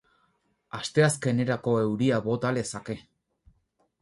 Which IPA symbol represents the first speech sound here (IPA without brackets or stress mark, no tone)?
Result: a